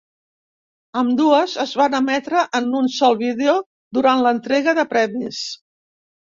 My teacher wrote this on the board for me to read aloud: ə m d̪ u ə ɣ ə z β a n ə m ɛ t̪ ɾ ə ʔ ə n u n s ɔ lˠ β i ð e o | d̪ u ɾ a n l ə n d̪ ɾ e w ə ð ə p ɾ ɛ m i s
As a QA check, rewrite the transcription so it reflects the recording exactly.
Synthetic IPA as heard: ə m d̪ u ə z ə z β a n ə m ɛ t̪ ɾ ə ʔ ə n u n s ɔ lˠ β i ð e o | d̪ u ɾ a n l ə n t̪ ɾ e ɣ ə ð ə p ɾ ɛ m i s